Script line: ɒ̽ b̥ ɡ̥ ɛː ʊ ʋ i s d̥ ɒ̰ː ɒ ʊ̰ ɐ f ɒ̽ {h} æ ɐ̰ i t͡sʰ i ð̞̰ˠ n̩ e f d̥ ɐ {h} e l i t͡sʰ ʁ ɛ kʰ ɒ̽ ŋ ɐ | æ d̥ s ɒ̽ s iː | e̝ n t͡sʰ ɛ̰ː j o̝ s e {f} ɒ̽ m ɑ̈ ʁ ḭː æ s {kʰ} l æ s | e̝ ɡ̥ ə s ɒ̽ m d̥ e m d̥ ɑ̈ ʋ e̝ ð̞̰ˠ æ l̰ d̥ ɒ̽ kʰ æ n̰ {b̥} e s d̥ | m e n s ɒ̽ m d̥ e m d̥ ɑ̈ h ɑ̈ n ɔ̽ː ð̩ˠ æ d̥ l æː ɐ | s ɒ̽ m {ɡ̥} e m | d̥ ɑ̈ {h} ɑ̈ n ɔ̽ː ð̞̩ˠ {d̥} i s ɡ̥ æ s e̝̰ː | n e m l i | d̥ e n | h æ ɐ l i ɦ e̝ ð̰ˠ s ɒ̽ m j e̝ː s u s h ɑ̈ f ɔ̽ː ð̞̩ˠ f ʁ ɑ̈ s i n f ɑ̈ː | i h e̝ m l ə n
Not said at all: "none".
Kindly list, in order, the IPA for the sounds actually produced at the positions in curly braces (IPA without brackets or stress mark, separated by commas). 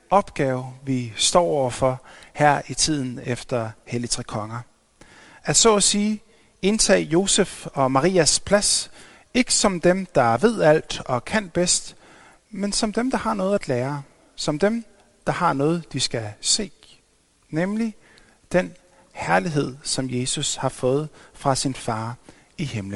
h, h, f, pʰ, b̥, d̥, h, d̥